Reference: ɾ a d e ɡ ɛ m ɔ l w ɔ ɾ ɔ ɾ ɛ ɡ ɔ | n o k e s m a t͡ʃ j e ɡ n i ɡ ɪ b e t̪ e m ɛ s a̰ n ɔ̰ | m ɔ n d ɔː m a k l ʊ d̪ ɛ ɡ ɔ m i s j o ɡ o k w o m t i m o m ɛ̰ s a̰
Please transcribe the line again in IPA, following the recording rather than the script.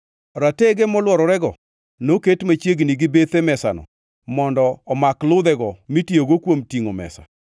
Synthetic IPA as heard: ɾ a t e ɡ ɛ m ɔ l w ɔ ɾ ɔ ɾ ɛ ɡ ɔ | n o k e t m a t͡ʃ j e ɡ n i ɡ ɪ b e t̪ e m ɛ s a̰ n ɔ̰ | m ɔ n d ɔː m a k l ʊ d̪ ɛ ɡ ɔ m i t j o ɡ o k w o m t i ŋ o m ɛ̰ s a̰